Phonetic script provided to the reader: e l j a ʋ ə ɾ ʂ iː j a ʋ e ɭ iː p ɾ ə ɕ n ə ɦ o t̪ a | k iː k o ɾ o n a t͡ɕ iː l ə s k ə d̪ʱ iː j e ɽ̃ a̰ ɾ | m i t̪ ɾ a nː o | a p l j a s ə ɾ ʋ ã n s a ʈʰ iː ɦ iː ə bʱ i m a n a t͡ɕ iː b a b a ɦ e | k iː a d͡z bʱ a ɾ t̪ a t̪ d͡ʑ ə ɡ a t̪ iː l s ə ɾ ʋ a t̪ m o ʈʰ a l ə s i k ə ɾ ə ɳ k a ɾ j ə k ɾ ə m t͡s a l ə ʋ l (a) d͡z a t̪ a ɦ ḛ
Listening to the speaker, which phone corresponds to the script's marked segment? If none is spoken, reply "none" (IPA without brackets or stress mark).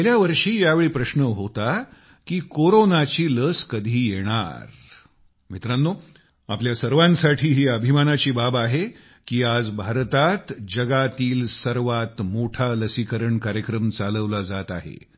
a